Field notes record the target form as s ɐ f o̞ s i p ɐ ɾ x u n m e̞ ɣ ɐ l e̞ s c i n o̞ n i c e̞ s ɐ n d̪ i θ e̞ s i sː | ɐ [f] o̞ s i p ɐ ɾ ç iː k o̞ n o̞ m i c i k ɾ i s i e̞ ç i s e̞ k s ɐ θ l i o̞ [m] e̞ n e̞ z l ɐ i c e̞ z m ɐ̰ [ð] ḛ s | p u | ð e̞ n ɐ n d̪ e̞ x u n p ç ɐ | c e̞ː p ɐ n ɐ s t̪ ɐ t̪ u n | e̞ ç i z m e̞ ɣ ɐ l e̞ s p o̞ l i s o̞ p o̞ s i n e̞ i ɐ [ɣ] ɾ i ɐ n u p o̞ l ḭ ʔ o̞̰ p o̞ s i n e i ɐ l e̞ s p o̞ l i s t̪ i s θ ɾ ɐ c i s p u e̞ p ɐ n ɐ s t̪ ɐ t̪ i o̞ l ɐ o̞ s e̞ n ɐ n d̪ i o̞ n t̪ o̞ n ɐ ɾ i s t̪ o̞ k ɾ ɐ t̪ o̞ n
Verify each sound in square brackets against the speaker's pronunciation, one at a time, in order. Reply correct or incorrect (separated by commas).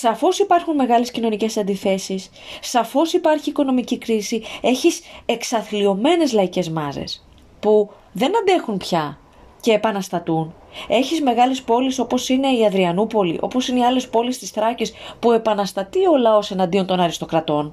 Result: correct, correct, incorrect, incorrect